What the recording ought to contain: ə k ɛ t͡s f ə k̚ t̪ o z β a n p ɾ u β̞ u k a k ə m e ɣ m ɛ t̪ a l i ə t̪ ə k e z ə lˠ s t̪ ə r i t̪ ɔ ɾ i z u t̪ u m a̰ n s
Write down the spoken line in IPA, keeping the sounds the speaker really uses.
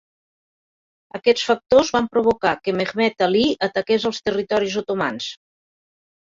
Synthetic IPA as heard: ə k ɛ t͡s f ə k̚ t̪ o z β a m p ɾ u β̞ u k a k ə m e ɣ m ɛ t̪ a l i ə t̪ ə k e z ə lˠ s t̪ ə r i t̪ ɔ ɾ i z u t̪ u m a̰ n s

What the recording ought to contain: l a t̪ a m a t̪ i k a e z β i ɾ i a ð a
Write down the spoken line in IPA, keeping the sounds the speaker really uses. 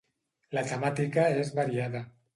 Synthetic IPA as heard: l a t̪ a m a t̪ i k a e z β a ɾ i a ð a

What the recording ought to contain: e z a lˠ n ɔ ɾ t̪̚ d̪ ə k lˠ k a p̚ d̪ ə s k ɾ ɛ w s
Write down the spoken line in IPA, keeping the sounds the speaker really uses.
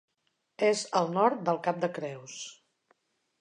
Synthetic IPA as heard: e z ə lˠ n ɔ ɾ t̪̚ d̪ ə lˠ k a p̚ d̪ ə k ɾ ɛ w s

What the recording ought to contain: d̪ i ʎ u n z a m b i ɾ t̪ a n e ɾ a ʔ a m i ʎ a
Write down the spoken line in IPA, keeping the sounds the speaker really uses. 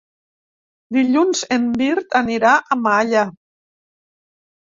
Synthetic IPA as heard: d̪ i ʎ u n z e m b i ɾ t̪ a n i ɾ a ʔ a m a ʎ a

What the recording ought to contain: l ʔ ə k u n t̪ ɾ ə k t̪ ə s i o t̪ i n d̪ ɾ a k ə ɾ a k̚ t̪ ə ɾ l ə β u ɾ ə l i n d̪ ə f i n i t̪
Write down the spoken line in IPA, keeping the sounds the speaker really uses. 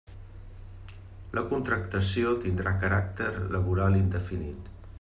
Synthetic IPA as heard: l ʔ ə k u n t̪ ɾ ə k t̪ ə s i o t̪ i n d̪ ɾ a k ə ɾ a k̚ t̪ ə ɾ l ə β u ɾ a l i n d̪ ə f i n i t̪

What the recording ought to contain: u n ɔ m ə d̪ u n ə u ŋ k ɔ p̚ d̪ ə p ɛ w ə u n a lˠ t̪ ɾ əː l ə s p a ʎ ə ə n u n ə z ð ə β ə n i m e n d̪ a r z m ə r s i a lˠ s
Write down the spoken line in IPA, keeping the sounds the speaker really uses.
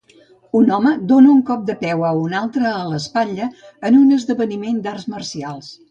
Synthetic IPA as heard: u n ɔ m ə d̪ o n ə u ŋ k ɔ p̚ d̪ ə p ɛ w ə u n a lˠ t̪ ɾ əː l ə s p a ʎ ə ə n u n ə z ð ə β ə n i m e n d̪ a r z m ə r s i a lˠ s

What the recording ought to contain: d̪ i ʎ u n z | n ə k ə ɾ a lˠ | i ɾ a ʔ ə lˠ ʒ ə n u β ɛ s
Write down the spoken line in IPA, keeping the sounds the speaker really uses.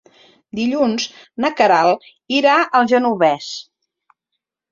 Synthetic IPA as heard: d̪ i ʎ u n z | n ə k ə ɾ a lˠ | i ɾ a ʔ ə lˠ ʒ ə n u β ɛ s

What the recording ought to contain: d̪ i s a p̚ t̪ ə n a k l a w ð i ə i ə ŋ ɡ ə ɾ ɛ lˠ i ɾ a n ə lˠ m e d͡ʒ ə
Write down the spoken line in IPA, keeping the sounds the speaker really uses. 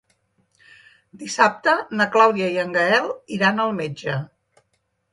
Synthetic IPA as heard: d̪ i s a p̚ t̪ ə n ə k l a w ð i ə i ə ŋ ɡ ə ɛ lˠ i ɾ a n ə lˠ m e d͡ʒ ə

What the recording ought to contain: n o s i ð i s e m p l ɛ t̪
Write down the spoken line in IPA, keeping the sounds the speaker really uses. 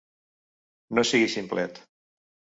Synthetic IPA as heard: n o s i ɣ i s i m p l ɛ t̪

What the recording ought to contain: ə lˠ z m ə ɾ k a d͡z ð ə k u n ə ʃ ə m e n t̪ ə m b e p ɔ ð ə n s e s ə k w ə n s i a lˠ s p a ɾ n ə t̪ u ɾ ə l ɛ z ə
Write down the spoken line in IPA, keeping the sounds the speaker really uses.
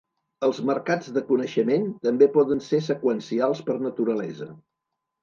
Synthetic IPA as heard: ə lˠ z m ə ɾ k a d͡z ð ə k u n ə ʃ ə m e n t̪ ə m b e p ɔ ð ə n s e s ə k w ə n s i a lˠ s p ə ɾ n ə t̪ u ɾ ə l ɛ z ə

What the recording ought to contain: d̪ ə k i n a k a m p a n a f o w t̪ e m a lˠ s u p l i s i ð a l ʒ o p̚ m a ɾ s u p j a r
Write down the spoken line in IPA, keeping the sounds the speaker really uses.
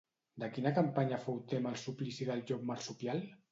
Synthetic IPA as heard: d̪ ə k i n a k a m p a ɲ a f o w t̪ e m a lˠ s u p l i s i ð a l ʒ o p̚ m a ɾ s u p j a l

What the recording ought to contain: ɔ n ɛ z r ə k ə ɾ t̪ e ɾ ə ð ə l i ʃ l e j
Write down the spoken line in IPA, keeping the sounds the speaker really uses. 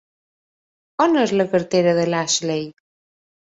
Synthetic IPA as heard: ɔ n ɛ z l ə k ə ɾ t̪ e ɾ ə ð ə l a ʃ l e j

